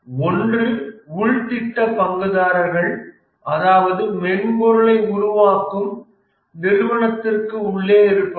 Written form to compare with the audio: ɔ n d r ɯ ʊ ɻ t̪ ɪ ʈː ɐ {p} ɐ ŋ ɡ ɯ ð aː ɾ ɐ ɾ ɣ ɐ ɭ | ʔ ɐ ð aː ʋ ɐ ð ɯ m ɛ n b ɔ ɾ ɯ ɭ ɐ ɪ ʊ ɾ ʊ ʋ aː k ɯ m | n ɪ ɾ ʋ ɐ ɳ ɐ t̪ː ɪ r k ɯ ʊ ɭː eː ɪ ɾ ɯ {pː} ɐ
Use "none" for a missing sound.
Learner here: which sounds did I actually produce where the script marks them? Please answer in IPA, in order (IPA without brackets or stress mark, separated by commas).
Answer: p, pː